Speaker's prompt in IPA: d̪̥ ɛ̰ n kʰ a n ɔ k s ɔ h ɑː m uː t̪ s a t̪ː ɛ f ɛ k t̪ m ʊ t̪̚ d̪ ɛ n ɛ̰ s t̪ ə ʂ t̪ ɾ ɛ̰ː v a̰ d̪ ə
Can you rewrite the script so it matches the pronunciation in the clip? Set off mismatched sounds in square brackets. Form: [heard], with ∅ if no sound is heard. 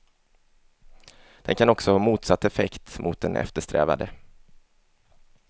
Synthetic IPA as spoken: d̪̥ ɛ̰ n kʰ a n ɔ k s ɔ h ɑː m uː t̪ s a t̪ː ɛ f ɛ k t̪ m ʊ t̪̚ d̪ ɛ n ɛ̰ [f] t̪ ə ʂ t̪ ɾ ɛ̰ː v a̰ d̪ ə

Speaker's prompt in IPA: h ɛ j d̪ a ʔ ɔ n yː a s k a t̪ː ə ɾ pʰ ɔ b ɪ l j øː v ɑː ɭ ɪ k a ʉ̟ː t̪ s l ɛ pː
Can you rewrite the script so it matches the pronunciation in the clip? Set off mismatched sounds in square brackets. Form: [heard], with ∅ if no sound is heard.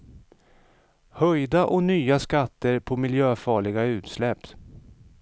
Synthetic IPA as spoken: h [œ] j d̪ a ʔ ɔ n yː a s k a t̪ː ə ɾ pʰ ɔ [m] ɪ l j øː [f] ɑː ɭ ɪ [ɡ] a ʉ̟ː t̪ s l ɛ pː

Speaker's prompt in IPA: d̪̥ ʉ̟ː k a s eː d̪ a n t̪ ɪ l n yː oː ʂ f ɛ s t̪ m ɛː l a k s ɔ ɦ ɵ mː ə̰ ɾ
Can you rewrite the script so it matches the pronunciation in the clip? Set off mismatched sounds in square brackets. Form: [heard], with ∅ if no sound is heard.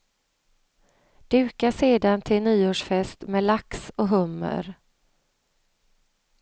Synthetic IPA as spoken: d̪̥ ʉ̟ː k a s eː d̪ a n [t̪ʰ] ɪ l n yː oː ʂ f ɛ s t̪ m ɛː l a k s ɔ ɦ ɵ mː ə̰ ɾ

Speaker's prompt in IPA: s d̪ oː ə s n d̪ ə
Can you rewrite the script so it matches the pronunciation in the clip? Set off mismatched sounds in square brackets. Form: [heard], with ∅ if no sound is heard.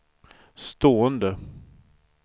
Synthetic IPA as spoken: s [t̪] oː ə [∅] n d̪ ə

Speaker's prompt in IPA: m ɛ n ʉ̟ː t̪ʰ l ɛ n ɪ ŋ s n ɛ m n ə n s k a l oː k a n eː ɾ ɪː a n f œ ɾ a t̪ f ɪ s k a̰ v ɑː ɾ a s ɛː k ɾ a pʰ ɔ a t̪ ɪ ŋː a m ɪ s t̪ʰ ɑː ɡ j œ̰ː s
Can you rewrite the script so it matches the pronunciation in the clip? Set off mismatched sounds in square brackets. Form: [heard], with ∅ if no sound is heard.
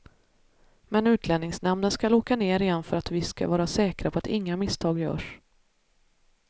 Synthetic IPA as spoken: m ɛ n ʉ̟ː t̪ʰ l ɛ n ɪ ŋ s n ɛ m n ə n s k a l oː k a n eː ɾ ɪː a n f œ ɾ a t̪ [v] ɪ s k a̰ v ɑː ɾ a s ɛː k ɾ a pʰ ɔ a t̪ ɪ ŋː a m ɪ s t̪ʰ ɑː ɡ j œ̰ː [ʂ]

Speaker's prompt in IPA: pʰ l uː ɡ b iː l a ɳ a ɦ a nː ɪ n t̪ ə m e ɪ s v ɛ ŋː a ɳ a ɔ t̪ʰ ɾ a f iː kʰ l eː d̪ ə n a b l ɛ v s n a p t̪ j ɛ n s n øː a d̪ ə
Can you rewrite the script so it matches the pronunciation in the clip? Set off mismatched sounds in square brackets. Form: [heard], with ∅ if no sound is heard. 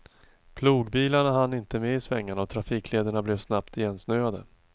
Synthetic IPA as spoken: pʰ l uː ɡ b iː l a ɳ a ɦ a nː ɪ n t̪ ə m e ɪ s v ɛ ŋː a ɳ a ɔ t̪ʰ ɾ a f iː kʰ l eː d̪ ə [ɳ] a b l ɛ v s n a p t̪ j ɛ n s n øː a d̪ ə

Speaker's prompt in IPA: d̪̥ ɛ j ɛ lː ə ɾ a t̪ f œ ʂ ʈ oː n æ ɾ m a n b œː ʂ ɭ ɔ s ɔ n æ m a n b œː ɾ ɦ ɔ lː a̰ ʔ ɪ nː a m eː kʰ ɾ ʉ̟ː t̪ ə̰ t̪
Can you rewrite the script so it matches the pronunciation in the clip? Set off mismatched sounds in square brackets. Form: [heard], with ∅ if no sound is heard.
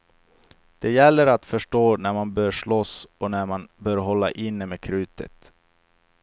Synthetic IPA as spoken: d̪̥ ɛ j ɛ lː ə ɾ a t̪ f œ ʂ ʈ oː n æ ɾ m a n b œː ʂ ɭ ɔ s ɔ n æ m a n b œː ɾ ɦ ɔ lː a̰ ʔ ɪ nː [ə] m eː kʰ ɾ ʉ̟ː t̪ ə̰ t̪

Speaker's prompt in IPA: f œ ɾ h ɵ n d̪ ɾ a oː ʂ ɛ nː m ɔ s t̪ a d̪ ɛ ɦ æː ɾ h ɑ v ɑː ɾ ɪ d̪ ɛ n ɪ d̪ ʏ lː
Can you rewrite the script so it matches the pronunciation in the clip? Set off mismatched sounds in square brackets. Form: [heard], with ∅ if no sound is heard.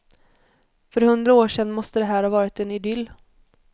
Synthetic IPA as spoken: f œ ɾ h ɵ n d̪ ɾ a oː ʂ ɛ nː m ɔ s t̪ [ə] d̪ ɛ ɦ æː ɾ h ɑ v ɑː ɾ ɪ [t̪] ɛ n ɪ d̪ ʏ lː

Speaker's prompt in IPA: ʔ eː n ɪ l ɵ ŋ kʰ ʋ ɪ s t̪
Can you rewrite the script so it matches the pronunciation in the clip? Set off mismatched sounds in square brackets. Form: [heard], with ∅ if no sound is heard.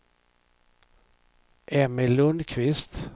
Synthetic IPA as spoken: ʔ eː [m] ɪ l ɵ [n] kʰ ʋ ɪ s t̪

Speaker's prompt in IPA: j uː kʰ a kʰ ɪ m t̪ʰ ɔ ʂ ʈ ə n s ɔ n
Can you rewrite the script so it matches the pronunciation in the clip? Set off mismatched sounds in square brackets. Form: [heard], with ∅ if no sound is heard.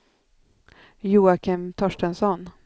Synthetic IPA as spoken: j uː [∅] a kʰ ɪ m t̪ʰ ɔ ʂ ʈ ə n s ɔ n

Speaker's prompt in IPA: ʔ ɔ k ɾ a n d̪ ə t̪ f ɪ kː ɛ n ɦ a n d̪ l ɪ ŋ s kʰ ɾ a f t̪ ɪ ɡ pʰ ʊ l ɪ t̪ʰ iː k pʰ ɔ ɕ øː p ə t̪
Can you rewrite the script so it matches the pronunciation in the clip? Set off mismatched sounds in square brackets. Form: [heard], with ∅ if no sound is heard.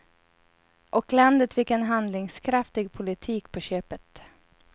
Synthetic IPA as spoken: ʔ ɔ k [l] a n d̪ ə t̪ f ɪ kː ɛ n ɦ a n d̪ l ɪ ŋ s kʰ ɾ a f t̪ ɪ ɡ pʰ ʊ l ɪ t̪ʰ iː k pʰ ɔ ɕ øː p ə t̪

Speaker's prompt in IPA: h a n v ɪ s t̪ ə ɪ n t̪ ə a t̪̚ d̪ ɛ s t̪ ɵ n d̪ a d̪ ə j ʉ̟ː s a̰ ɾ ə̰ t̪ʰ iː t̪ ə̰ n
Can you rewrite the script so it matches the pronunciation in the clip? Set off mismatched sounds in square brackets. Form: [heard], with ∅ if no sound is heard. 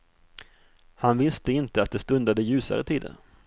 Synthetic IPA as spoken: h a n v ɪ s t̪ ə ɪ n t̪ ə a t̪̚ d̪ ɛ s t̪ ɵ n d̪ a d̪ ə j ʉ̟ː s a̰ ɾ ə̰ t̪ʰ iː [d̪] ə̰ n

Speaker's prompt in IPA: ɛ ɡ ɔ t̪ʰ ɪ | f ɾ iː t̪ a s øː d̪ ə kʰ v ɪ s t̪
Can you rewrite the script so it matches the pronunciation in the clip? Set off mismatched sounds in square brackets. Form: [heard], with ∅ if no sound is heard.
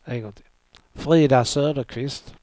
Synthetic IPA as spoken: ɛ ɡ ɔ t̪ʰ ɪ | f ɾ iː [d̪] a s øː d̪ ə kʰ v ɪ s t̪

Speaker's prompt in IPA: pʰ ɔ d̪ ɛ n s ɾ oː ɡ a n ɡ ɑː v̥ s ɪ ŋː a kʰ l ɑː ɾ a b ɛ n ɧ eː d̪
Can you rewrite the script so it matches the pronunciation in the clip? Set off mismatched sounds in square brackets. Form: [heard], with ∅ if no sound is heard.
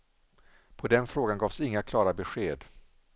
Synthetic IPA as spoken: pʰ ɔ d̪ ɛ n [f] ɾ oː ɡ a n ɡ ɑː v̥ s ɪ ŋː a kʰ l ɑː ɾ a b ɛ [∅] ɧ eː d̪

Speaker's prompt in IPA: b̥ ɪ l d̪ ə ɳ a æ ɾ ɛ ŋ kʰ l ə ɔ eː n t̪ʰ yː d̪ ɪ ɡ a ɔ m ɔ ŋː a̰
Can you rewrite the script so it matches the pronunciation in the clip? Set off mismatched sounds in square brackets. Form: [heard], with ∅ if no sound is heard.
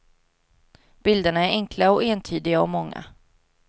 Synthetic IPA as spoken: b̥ ɪ l d̪ ə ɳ a æ ɾ ɛ ŋ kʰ l [a] ɔ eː n t̪ʰ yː d̪ ɪ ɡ a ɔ m ɔ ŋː a̰

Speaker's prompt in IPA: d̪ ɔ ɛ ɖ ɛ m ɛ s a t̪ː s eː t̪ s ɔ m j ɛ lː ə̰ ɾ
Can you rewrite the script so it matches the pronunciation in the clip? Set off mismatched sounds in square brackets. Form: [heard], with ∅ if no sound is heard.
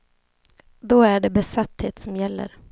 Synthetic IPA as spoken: d̪ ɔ [æ] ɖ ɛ [b] ɛ s a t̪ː [h] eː t̪ s ɔ m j ɛ lː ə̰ ɾ

